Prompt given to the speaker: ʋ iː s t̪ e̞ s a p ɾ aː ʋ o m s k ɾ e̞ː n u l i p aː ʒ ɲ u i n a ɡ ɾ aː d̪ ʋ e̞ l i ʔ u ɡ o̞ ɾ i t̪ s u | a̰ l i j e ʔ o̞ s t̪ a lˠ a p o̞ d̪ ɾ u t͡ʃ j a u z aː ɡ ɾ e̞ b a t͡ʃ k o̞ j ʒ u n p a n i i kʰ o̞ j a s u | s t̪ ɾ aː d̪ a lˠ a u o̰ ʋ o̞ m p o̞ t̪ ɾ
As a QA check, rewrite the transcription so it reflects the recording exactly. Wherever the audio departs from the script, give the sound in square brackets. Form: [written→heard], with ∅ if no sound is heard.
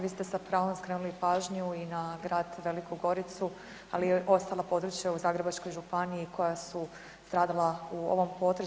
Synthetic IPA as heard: ʋ iː s t̪ e̞ s a p ɾ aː ʋ o m s k ɾ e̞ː n u l i p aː ʒ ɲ u i n a ɡ ɾ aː d̪ ʋ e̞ l i [ʔ→k] u ɡ o̞ ɾ i t̪ s u | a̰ l i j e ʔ o̞ s t̪ a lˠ a p o̞ d̪ ɾ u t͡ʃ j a u z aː ɡ ɾ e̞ b a t͡ʃ k o̞ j ʒ u [n→∅] p a n i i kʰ o̞ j a s u | s t̪ ɾ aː d̪ a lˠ a u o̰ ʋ o̞ m p o̞ t̪ ɾ